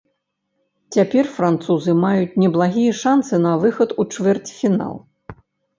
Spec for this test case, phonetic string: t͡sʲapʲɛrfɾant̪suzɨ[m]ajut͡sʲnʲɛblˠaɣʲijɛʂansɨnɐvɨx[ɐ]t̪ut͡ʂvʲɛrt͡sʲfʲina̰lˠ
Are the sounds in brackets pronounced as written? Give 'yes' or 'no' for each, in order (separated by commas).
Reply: yes, yes